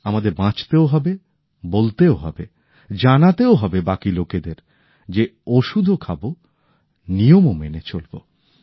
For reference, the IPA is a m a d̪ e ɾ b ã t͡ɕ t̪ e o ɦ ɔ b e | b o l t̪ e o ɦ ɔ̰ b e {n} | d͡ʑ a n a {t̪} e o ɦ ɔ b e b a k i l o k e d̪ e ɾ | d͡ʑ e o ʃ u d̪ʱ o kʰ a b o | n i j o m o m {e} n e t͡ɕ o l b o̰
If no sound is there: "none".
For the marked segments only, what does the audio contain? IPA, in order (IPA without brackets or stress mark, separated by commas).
none, t̪, e